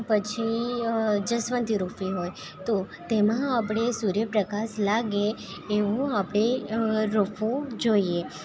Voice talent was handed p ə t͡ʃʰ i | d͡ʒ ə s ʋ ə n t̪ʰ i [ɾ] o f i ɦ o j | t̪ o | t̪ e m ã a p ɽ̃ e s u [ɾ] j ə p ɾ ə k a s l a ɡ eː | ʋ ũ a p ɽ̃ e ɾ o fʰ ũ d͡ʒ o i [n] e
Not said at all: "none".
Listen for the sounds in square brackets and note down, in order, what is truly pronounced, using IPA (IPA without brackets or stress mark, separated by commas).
ɾ, ɾ, none